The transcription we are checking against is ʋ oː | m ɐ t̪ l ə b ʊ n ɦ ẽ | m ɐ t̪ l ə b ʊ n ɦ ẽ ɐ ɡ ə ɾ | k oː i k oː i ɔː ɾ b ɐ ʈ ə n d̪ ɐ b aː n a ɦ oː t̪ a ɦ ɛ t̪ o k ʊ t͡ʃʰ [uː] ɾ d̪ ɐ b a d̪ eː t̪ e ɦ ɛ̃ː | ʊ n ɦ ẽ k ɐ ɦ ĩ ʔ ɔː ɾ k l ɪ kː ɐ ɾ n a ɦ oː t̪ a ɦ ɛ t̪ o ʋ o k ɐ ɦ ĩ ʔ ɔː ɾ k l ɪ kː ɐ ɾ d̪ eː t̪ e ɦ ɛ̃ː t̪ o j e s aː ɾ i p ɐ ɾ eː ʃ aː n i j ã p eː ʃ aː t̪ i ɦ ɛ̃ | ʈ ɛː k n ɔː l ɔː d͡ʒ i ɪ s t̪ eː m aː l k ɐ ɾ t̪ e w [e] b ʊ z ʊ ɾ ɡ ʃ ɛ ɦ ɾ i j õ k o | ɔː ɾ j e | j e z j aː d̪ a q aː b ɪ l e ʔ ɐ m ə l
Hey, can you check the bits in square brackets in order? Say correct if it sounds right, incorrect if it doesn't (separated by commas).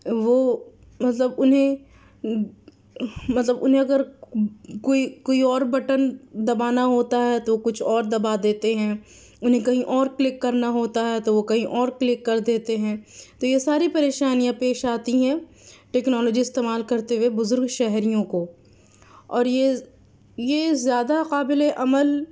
incorrect, correct